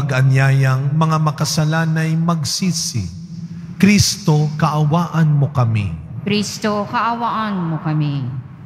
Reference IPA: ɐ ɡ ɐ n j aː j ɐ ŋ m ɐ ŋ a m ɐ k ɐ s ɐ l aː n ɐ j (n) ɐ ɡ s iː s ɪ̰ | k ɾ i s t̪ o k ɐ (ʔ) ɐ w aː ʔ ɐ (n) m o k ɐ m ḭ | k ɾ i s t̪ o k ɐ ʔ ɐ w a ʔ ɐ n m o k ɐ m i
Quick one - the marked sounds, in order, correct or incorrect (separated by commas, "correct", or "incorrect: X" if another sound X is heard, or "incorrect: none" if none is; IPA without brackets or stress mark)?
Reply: incorrect: m, correct, correct